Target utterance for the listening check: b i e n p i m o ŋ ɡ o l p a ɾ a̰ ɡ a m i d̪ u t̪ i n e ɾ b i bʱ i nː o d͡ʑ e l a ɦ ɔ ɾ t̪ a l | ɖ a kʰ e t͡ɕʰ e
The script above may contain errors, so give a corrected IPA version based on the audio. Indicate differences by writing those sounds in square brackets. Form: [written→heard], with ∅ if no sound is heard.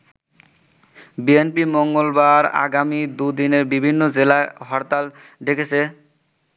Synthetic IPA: b i e n p i m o ŋ ɡ o l [p→b] a ɾ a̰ ɡ a m i d̪ u [t̪→d̪] i n e ɾ b i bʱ i nː o d͡ʑ e l a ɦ ɔ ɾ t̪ a l | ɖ [a→e] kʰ e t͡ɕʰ e